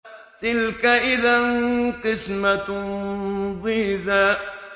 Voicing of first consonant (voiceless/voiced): voiceless